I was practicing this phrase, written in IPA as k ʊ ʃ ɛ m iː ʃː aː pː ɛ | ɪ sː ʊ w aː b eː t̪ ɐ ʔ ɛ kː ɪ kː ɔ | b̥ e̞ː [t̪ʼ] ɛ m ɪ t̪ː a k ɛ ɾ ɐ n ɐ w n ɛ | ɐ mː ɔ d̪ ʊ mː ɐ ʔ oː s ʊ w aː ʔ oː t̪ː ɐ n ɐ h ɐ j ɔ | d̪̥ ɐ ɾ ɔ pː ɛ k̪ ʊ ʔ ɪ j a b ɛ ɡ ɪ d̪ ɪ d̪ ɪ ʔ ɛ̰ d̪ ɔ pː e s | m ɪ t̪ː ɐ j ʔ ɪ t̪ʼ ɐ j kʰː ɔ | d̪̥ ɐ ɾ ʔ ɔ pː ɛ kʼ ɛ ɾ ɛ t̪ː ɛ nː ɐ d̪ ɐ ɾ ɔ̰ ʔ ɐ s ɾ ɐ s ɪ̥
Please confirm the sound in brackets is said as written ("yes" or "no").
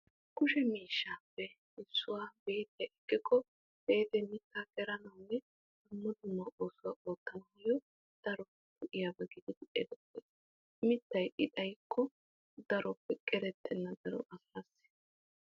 no